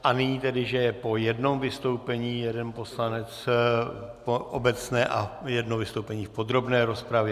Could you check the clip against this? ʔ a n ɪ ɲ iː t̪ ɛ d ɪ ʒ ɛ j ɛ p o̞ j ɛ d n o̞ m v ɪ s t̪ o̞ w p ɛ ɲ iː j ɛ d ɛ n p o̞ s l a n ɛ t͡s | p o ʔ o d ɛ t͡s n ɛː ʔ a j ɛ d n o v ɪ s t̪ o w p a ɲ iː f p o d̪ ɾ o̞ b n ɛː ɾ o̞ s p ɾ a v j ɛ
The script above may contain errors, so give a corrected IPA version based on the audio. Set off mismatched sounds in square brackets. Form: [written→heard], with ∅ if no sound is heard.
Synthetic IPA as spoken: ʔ a n ɪ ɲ iː t̪ ɛ d ɪ ʒ ɛ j ɛ p o̞ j ɛ d n o̞ m v ɪ s t̪ o̞ w p ɛ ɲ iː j ɛ d ɛ n p o̞ s l a n ɛ t͡s | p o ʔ o [d→b] ɛ t͡s n ɛː ʔ a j ɛ d n o v ɪ s t̪ o w p [a→ɛ] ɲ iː f p o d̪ ɾ o̞ b n ɛː ɾ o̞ s p ɾ a v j ɛ